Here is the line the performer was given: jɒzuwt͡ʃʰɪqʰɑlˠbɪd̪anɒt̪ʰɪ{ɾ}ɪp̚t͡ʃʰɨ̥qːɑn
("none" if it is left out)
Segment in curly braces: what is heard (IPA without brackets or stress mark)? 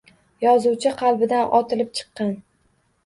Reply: l